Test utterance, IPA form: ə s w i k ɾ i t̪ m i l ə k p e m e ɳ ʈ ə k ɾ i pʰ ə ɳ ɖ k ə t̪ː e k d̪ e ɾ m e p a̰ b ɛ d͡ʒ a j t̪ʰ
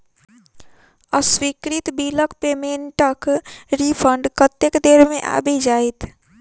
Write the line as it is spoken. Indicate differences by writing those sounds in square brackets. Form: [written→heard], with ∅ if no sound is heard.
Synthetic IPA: ə s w i k ɾ i t̪ [m→b] i l ə k p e m e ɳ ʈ ə k ɾ i pʰ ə ɳ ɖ k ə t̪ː e k d̪ e ɾ m e [p→ʔ] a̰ b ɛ d͡ʒ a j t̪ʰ